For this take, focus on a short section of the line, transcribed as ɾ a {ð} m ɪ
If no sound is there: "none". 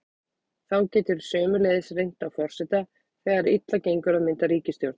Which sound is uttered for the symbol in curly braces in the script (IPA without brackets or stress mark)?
ð